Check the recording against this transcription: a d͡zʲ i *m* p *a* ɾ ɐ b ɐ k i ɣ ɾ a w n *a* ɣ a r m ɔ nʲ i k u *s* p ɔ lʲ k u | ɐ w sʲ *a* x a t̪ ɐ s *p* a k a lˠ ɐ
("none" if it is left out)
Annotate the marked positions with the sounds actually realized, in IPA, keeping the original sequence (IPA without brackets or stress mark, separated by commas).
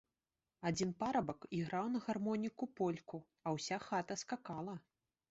n, a, ɐ, none, a, k